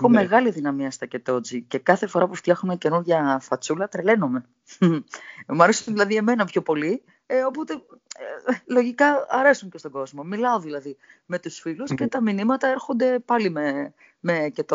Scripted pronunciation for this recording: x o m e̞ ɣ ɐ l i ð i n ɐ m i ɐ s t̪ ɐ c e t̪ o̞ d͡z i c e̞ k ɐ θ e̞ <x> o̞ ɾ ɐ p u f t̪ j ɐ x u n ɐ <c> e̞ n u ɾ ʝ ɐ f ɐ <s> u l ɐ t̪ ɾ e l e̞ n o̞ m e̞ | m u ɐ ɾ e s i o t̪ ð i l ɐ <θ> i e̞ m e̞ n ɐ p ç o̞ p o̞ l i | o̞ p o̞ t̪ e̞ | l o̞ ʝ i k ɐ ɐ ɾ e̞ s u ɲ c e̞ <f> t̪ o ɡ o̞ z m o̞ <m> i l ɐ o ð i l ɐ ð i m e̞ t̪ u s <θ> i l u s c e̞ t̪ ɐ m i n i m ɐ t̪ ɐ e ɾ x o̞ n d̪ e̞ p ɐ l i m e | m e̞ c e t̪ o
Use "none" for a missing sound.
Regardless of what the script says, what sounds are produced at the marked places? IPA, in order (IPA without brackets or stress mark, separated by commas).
f, c, t͡s, ð, s, m, f